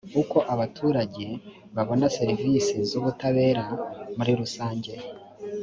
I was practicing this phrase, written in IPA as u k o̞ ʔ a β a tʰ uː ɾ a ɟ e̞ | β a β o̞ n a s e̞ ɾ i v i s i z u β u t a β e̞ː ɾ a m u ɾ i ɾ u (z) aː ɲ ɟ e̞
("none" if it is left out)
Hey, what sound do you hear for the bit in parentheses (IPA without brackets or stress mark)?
s